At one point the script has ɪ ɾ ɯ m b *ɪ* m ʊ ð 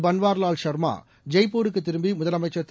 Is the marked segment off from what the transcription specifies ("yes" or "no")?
yes